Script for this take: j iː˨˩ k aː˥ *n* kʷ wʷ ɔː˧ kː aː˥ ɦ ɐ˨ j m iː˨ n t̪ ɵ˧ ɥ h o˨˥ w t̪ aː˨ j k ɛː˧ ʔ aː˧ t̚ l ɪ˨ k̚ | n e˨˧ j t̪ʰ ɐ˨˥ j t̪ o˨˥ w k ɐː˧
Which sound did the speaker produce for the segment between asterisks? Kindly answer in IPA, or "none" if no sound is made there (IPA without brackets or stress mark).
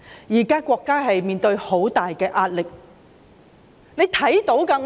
none